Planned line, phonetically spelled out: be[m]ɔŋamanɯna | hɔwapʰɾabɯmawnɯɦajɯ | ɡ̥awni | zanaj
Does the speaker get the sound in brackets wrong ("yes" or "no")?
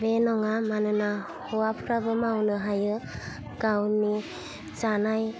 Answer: yes